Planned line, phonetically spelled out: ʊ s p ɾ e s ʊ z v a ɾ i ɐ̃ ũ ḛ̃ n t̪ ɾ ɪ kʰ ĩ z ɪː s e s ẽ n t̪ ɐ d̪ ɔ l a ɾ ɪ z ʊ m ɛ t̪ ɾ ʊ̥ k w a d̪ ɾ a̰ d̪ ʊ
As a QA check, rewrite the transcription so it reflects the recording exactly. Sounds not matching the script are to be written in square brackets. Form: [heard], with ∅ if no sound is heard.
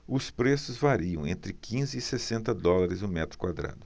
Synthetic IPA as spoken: ʊ s p ɾ e s ʊ z v a ɾ i ɐ̃ [w̃] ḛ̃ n t̪ ɾ ɪ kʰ ĩ z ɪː s e s ẽ n t̪ ɐ d̪ ɔ l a ɾ ɪ z ʊ m ɛ t̪ ɾ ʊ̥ k w a d̪ ɾ a̰ d̪ ʊ